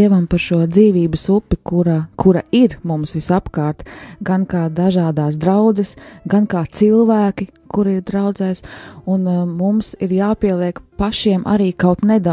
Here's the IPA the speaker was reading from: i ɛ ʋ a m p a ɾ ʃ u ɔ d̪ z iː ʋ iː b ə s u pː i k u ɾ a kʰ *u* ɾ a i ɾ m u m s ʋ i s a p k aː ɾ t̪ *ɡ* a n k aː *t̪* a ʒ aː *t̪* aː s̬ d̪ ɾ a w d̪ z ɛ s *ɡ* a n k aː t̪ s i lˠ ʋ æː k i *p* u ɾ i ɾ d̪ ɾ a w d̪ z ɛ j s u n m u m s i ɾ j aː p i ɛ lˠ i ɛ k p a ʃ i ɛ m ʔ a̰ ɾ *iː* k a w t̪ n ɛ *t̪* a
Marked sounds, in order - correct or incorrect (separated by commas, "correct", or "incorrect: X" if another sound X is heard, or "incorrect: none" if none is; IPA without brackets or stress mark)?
correct, correct, incorrect: d̪, incorrect: d̪, correct, incorrect: k, correct, incorrect: d̪